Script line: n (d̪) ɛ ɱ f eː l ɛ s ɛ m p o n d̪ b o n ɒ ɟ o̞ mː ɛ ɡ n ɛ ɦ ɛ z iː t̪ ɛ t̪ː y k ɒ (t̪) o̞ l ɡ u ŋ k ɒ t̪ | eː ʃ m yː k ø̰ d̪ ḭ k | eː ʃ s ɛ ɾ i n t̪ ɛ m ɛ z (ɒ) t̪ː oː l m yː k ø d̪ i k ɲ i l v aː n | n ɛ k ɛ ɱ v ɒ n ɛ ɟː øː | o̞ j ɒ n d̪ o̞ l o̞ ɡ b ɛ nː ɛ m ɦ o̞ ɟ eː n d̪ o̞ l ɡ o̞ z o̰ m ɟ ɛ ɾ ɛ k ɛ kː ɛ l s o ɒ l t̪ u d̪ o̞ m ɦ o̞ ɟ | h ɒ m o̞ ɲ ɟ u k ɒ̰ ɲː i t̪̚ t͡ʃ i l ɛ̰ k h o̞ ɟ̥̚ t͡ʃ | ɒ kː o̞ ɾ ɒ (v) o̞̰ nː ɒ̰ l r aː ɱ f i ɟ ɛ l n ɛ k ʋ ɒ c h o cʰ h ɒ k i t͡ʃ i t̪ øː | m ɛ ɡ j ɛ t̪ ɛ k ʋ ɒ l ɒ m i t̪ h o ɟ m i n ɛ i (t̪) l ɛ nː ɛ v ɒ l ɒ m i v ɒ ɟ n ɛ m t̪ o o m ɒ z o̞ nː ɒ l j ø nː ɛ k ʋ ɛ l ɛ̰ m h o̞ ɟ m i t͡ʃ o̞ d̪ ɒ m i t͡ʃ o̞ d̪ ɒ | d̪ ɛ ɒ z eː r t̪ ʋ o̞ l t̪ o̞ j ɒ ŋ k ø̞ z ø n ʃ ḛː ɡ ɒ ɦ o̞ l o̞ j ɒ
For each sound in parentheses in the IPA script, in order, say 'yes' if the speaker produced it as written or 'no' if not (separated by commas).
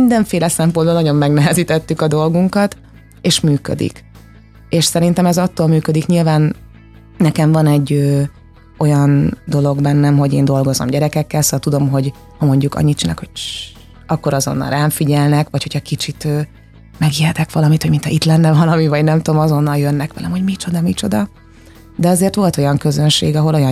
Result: yes, no, yes, no, yes